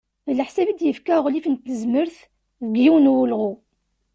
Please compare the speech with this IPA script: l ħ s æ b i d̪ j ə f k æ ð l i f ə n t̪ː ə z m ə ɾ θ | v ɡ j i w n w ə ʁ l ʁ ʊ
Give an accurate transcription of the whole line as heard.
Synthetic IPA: l ħ s æ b i d̪ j ə f k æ ʁ l i f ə n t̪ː ə z m ə ɾ θ | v ɡ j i w n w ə l ʁ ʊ